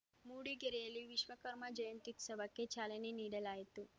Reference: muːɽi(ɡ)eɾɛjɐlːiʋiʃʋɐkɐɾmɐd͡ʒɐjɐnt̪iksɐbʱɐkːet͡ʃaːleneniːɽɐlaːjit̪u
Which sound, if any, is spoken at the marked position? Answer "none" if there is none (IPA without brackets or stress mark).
ɡ